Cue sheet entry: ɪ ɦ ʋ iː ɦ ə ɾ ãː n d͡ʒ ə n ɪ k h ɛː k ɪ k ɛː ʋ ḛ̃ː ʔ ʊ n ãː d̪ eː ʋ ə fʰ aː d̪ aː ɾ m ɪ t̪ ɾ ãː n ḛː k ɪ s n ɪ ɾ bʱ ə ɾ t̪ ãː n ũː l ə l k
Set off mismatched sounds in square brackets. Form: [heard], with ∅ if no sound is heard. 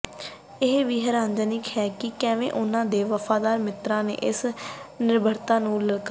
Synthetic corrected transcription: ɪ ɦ ʋ iː ɦ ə ɾ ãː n d͡ʒ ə n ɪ k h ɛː k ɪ k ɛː ʋ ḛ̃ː ʔ ʊ n ãː d̪ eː ʋ ə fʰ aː d̪ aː ɾ m ɪ t̪ ɾ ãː n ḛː [ʔ] ɪ s n ɪ ɾ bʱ ə ɾ t̪ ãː n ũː l ə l k